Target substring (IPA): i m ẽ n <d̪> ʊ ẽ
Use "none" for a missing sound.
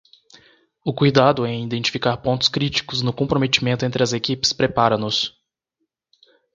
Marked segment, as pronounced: t̪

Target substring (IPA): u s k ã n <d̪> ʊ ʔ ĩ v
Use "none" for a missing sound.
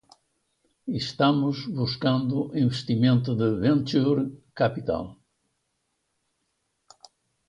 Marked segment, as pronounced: d̪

